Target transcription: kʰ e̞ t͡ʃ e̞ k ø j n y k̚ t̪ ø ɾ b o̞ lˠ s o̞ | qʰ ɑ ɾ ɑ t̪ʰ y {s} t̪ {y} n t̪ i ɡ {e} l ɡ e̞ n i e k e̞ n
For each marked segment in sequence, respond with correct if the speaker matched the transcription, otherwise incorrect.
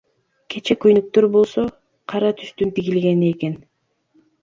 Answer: correct, correct, incorrect: i

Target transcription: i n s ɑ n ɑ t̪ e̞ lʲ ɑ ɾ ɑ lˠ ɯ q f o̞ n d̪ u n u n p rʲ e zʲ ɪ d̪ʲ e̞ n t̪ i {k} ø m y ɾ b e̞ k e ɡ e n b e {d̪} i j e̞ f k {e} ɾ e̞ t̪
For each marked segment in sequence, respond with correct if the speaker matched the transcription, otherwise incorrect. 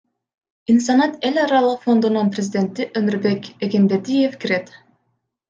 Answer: incorrect: ʔ, correct, incorrect: i

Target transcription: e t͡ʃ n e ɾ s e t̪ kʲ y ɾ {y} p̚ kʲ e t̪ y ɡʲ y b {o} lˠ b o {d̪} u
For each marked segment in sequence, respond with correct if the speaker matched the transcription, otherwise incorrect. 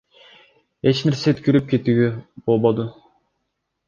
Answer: correct, correct, correct

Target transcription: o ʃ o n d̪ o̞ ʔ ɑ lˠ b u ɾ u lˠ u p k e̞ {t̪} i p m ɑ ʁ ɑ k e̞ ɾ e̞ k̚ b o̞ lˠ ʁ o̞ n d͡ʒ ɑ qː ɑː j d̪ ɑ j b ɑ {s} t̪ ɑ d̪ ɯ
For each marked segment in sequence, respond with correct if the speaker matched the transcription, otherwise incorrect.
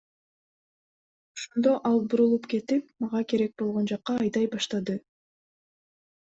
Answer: correct, incorrect: ʃ

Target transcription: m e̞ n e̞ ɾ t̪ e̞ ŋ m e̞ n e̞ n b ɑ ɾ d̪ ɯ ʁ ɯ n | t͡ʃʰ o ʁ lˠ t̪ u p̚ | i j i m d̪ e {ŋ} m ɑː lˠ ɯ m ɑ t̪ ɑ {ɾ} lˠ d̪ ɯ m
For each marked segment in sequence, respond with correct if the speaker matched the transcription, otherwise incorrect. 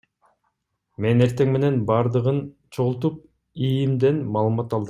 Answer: incorrect: n, incorrect: none

